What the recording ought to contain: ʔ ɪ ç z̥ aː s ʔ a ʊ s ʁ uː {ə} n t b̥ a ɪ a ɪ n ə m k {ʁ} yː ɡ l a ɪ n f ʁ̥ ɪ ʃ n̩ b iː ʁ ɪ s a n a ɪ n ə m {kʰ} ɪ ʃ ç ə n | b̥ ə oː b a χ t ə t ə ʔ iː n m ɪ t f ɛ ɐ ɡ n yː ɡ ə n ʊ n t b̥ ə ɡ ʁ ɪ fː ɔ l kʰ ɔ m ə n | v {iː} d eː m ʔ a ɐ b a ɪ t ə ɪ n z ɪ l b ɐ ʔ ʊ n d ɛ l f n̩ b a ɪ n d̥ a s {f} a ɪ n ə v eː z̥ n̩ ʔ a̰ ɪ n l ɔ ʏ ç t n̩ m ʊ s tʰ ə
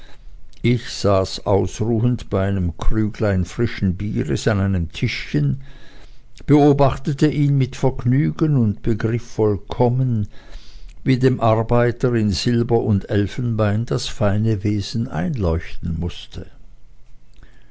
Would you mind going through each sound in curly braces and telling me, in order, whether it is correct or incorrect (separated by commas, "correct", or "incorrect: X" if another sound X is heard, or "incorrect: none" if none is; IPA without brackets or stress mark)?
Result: correct, correct, incorrect: tʰ, correct, correct